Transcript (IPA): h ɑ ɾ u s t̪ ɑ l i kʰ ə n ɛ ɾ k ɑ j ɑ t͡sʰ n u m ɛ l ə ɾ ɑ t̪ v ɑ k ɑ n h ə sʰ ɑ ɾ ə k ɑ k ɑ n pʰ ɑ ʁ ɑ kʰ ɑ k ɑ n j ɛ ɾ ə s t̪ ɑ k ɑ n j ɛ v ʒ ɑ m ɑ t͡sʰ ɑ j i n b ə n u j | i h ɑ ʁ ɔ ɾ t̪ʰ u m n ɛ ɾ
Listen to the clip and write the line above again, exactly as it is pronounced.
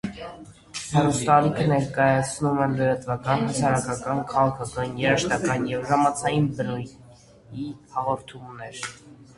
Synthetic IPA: h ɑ ɾ u s t̪ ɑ l i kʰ ə n ɛ ɾ k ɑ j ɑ t͡sʰ n u m ɛ l ə ɾ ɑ t̪ v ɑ k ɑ n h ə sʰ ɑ ɾ ɑ k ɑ k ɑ n kʰ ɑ ʁ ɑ kʰ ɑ k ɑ n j ɛ ɾ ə ʃ t̪ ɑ k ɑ n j ɛ v ʒ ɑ m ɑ t͡sʰ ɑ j i n b ə n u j | i h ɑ ʁ ɔ ɾ t̪ʰ u m n ɛ ɾ